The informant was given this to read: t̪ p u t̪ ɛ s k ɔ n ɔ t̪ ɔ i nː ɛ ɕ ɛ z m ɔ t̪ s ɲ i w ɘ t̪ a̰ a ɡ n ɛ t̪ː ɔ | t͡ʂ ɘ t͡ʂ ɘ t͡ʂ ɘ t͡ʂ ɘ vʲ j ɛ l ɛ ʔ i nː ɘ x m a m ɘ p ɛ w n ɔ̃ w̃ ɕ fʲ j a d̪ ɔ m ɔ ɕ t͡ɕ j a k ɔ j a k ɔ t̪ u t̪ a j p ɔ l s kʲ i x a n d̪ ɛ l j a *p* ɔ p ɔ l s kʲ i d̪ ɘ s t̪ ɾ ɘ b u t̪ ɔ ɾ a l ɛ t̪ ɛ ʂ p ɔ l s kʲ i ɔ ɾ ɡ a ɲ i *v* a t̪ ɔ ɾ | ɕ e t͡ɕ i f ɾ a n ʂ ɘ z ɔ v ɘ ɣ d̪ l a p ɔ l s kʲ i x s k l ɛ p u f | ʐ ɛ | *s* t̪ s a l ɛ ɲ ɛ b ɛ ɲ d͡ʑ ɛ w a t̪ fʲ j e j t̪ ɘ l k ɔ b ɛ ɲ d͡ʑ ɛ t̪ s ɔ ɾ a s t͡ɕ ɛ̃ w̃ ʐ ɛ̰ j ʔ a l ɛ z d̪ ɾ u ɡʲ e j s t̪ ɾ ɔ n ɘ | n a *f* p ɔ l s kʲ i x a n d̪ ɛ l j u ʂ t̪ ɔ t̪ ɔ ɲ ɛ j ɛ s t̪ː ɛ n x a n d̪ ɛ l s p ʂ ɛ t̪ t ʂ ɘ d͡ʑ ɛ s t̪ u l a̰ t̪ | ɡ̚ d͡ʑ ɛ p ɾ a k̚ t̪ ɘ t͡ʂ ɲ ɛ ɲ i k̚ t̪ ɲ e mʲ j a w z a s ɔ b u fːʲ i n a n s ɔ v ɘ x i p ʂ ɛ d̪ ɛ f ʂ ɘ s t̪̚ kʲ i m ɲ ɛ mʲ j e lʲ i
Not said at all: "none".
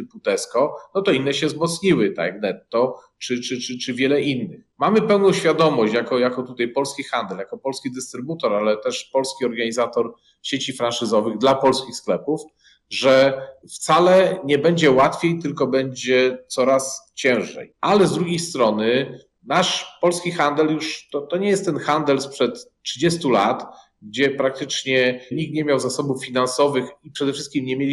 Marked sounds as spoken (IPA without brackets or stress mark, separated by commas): k, z, f, ʂ